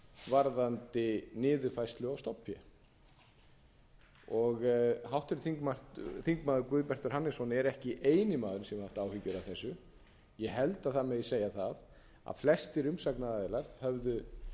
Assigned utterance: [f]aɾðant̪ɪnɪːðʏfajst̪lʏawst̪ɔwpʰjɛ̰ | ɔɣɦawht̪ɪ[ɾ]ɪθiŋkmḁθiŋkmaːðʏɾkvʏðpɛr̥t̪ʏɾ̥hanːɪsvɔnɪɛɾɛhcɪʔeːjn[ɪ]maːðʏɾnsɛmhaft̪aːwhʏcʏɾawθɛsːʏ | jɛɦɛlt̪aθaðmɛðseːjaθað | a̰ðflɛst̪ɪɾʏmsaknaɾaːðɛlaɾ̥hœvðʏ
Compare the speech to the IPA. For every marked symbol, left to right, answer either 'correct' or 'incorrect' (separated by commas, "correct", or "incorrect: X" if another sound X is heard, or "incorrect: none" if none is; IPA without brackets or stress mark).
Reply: incorrect: v, correct, correct